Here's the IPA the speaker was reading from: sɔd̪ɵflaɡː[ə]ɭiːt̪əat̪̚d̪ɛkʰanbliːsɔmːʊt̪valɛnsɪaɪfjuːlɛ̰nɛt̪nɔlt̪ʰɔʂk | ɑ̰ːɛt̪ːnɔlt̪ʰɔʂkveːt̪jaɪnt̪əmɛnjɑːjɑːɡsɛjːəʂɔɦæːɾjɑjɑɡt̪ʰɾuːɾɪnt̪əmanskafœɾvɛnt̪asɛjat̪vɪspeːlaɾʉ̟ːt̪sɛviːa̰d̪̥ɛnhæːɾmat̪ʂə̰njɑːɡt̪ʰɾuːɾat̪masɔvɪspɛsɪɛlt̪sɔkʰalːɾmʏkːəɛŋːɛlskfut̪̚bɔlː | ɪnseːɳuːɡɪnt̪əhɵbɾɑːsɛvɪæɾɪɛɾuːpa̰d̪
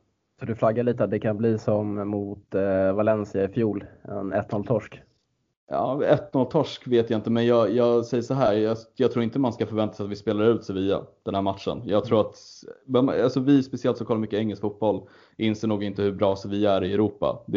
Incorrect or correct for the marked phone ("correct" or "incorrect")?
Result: incorrect